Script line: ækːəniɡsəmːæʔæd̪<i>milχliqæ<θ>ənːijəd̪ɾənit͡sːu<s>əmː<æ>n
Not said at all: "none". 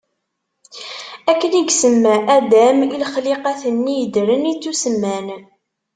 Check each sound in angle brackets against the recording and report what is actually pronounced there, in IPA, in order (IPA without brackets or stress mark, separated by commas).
æ, θ, s, æ